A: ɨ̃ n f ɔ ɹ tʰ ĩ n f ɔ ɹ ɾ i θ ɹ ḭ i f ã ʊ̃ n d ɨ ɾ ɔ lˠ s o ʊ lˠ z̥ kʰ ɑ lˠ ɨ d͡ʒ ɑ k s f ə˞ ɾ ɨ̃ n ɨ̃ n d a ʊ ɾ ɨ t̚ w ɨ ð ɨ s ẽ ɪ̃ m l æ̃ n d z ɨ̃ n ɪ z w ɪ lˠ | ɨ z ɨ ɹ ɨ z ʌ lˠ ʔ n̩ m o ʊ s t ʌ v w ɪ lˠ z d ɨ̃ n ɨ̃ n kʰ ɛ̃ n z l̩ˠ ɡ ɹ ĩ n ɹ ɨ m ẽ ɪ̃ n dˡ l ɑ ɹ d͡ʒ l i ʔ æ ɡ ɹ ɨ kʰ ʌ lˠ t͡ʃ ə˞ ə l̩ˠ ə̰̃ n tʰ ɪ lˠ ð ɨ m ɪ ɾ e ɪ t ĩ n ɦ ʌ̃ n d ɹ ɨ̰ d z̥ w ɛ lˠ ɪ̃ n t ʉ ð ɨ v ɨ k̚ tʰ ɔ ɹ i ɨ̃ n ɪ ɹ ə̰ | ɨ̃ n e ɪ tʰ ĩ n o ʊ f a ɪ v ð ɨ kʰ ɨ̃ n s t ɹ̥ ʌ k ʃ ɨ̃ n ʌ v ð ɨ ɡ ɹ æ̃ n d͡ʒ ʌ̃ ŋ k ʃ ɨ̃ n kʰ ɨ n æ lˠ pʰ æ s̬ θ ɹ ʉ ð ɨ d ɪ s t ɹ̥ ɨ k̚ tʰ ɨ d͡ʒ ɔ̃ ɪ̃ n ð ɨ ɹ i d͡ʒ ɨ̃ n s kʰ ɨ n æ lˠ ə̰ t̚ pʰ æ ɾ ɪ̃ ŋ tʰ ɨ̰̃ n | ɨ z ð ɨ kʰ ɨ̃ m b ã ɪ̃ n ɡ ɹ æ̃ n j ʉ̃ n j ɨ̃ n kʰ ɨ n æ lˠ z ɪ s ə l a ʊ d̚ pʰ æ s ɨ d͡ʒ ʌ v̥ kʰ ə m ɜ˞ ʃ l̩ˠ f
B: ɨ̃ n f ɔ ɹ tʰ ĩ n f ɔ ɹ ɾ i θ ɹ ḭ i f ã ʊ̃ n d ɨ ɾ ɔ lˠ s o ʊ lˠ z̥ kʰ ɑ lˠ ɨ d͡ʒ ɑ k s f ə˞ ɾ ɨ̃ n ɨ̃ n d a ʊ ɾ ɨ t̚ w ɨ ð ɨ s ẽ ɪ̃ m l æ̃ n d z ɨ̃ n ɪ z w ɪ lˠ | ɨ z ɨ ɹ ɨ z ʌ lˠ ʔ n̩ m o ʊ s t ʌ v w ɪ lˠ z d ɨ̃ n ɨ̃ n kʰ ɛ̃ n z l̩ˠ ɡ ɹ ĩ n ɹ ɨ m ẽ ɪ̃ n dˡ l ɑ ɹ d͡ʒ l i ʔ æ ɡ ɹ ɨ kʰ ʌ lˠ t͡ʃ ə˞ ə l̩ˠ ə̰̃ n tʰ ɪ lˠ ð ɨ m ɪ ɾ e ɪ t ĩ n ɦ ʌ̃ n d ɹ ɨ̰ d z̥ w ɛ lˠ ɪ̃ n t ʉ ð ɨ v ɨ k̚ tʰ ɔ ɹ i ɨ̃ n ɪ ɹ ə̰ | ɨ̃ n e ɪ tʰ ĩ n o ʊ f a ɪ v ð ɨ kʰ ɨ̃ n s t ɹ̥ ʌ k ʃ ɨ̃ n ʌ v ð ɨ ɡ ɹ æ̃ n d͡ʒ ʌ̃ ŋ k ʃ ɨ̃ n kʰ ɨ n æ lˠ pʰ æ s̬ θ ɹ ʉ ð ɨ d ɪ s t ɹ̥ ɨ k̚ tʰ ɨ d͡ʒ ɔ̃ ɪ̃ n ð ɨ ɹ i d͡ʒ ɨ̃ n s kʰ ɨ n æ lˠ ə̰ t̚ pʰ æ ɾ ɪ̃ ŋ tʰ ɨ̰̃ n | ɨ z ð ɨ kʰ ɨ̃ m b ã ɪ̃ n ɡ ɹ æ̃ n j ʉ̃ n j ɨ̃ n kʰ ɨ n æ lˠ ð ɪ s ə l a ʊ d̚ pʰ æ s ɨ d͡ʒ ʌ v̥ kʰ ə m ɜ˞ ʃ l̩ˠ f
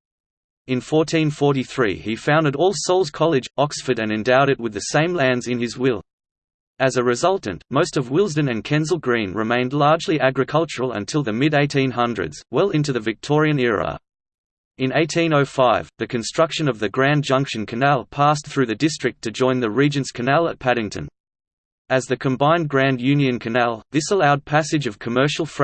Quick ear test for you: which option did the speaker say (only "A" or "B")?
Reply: B